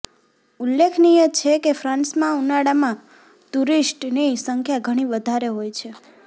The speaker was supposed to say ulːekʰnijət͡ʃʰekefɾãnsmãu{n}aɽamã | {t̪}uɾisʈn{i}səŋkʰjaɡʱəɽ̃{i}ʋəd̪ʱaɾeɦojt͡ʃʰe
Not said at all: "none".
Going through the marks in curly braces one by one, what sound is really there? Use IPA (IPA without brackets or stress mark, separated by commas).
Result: n, t̪, i, i